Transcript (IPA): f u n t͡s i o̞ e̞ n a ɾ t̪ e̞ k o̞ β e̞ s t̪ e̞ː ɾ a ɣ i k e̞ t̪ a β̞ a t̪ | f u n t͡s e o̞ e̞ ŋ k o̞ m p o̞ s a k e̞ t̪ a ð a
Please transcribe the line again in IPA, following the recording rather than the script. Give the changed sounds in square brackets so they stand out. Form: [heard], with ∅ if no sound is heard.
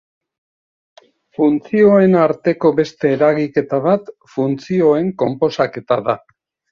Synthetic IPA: f u n t͡s i o̞ e̞ n a ɾ t̪ e̞ k o̞ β e̞ s t̪ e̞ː ɾ a ɣ i k e̞ t̪ a β̞ a t̪ | f u n t͡s [i] o̞ e̞ ŋ k o̞ m p o̞ s a k e̞ t̪ a ð a